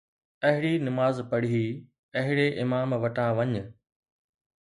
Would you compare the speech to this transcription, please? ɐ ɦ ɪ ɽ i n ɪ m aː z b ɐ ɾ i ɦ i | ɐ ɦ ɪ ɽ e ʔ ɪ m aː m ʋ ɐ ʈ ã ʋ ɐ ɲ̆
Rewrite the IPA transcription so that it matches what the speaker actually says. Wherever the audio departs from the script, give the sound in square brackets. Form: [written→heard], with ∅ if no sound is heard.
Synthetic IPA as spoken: ɐ ɦ ɪ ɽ i n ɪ m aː z [b→p] ɐ [ɾ→ɽ] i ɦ i | ɐ ɦ ɪ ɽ e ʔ ɪ m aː m ʋ ɐ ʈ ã ʋ ɐ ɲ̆